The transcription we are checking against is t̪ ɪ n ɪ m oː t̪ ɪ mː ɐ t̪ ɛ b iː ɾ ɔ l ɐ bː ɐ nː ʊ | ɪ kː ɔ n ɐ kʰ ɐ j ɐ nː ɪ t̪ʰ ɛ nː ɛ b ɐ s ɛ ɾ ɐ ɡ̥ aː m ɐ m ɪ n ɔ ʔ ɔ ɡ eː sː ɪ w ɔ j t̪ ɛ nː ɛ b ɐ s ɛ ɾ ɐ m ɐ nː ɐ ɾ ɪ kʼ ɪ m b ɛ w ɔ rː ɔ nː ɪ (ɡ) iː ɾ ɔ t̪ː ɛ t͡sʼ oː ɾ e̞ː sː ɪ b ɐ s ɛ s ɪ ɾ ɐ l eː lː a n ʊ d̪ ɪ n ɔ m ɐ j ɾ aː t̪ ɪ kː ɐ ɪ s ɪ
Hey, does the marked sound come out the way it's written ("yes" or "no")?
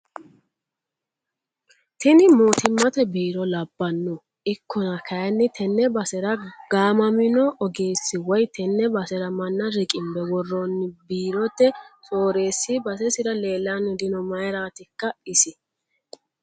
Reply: no